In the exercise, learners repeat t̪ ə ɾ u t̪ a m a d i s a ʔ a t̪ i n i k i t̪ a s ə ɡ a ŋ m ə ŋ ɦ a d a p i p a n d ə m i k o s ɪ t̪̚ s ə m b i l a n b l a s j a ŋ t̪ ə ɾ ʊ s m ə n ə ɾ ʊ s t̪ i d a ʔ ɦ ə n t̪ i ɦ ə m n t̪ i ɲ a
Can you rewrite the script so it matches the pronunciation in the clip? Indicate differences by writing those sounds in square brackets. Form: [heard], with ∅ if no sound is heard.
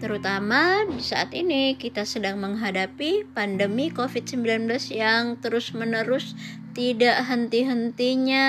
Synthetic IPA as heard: t̪ ə ɾ u t̪ a m a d i s a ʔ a t̪ i n i k i t̪ a s ə [d] a ŋ m ə ŋ ɦ a d a p i p a n d ə m i k o [f] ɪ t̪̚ s ə m b i l a n b l a s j a ŋ t̪ ə ɾ ʊ s m ə n ə ɾ ʊ s t̪ i d a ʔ ɦ ə n t̪ i ɦ ə [∅] n t̪ i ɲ a